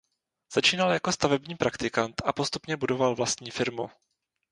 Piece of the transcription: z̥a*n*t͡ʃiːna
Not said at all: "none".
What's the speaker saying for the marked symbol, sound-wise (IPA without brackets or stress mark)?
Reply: none